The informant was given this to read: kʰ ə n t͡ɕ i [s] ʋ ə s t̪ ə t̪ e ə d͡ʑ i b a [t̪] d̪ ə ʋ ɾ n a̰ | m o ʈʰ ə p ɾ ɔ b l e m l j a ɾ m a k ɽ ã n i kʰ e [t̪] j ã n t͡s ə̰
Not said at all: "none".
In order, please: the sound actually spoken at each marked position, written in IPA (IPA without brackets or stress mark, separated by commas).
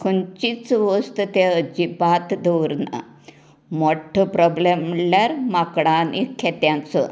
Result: t͡s, t̪, t̪